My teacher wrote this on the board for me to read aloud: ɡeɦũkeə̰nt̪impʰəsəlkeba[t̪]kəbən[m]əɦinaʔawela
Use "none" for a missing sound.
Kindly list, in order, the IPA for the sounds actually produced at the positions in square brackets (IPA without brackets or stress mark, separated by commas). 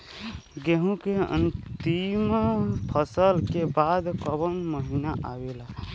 d̪, m